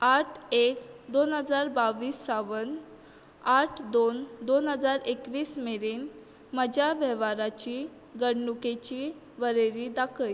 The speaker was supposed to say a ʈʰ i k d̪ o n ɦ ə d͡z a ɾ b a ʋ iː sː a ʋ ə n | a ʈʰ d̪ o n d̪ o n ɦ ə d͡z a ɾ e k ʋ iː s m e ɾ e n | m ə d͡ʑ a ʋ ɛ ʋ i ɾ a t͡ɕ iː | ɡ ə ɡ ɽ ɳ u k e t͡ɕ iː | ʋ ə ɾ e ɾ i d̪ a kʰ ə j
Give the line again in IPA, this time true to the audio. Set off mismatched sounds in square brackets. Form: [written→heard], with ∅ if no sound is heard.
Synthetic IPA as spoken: a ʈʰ [i→e] k d̪ o n ɦ ə d͡z a ɾ b a ʋ iː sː a ʋ ə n | a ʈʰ d̪ o n d̪ o n ɦ ə d͡z a ɾ e k ʋ iː s m e ɾ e n | m ə d͡ʑ a ʋ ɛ ʋ [i→a] ɾ a t͡ɕ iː | ɡ ə [ɡ→∅] ɽ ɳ u k e t͡ɕ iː | ʋ ə ɾ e ɾ i d̪ a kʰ ə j